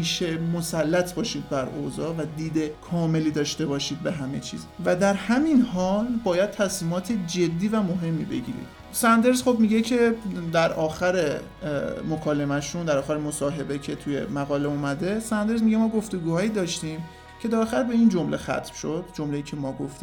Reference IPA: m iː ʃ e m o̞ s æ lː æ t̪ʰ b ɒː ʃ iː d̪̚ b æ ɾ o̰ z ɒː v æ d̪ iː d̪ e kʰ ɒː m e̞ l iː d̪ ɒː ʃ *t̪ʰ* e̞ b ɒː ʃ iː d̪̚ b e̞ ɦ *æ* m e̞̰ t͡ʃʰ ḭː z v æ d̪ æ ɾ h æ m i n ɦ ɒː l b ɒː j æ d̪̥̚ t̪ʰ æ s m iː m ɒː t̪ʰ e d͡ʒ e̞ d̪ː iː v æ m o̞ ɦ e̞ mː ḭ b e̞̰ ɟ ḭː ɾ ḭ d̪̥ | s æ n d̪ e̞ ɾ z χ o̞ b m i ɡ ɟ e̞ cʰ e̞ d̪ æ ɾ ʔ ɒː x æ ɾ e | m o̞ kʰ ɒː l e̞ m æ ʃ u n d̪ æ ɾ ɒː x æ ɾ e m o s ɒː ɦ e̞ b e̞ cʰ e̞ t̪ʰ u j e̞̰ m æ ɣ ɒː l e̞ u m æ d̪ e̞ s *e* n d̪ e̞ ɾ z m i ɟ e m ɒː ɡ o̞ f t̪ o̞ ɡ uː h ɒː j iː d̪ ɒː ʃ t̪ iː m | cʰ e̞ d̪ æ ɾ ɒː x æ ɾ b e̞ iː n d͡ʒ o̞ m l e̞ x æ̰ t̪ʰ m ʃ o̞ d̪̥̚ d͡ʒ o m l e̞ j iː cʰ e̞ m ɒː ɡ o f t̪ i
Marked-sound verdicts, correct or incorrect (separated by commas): incorrect, correct, incorrect